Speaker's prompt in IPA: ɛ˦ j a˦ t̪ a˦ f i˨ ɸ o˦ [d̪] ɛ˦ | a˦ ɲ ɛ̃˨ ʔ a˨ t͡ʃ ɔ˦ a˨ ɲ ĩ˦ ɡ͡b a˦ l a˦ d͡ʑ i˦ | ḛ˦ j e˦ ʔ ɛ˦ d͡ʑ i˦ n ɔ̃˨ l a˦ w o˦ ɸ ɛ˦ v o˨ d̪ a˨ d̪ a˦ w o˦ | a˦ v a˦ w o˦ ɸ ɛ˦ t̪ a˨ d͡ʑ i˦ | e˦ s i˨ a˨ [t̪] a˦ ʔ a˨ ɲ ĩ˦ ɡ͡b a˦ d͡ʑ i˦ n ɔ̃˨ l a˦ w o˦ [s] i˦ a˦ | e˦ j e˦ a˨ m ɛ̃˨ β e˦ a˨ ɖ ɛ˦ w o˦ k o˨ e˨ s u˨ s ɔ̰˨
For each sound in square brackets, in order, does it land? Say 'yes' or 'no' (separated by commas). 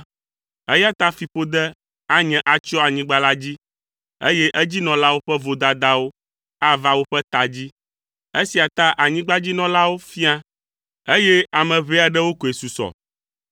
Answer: yes, yes, no